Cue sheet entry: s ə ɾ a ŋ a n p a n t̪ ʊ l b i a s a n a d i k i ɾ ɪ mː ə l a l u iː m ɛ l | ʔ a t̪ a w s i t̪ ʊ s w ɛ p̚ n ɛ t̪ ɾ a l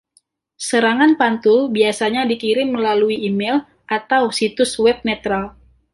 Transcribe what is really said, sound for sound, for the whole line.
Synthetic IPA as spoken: s ə ɾ a ŋ a n p a n t̪ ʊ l b i a s a ɲ a d i k i ɾ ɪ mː ə l a l u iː m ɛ l | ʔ a t̪ a w s i t̪ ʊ s w ɛ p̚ n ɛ t̪ ɾ a l